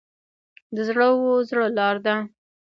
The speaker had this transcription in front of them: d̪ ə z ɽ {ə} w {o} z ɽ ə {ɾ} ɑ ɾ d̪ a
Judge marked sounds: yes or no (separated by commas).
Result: yes, yes, no